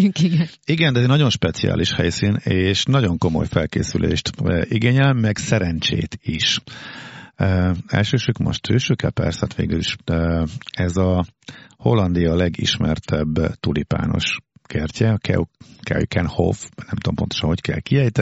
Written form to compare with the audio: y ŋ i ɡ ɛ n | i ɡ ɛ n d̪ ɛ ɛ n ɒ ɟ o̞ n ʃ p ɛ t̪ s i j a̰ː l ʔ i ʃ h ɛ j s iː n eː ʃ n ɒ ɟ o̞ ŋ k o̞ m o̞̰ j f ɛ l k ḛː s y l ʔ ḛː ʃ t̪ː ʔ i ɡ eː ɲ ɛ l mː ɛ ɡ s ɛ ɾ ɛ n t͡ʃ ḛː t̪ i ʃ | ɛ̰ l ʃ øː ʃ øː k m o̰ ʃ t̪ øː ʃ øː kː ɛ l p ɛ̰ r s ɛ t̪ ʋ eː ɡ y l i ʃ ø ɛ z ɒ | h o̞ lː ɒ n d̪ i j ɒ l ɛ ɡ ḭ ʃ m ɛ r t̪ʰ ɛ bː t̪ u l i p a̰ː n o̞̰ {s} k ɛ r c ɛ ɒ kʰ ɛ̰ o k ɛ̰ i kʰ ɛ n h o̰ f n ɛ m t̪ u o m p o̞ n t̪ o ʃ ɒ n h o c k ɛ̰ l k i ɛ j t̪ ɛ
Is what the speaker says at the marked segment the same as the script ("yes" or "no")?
no